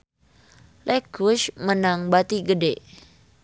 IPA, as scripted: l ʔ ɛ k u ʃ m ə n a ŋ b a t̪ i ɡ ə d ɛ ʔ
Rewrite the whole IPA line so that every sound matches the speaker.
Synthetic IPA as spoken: l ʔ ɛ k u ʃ m ə n a ŋ b a t̪ i ɡ ə d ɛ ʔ